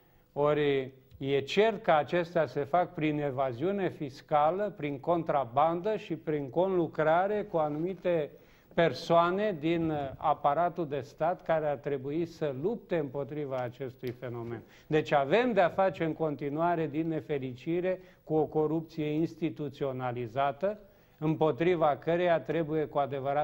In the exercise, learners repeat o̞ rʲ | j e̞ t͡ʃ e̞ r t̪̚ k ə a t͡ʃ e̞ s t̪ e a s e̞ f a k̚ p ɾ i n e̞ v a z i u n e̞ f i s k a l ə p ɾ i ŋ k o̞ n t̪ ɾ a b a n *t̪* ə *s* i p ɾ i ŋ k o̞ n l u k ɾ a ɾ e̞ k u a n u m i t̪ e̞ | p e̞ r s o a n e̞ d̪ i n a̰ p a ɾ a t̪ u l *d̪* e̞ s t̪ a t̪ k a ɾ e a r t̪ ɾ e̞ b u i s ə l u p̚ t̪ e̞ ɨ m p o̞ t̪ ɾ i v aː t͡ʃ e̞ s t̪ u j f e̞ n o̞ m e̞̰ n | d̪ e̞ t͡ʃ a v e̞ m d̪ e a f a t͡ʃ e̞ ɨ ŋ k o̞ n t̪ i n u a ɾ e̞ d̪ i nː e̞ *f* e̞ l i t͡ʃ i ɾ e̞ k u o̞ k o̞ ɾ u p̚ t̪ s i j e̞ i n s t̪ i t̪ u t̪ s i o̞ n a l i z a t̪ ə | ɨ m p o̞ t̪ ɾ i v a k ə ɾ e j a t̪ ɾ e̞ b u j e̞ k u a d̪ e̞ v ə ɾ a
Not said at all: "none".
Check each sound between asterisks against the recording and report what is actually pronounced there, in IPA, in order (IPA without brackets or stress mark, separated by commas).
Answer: d̪, ʃ, d̪, f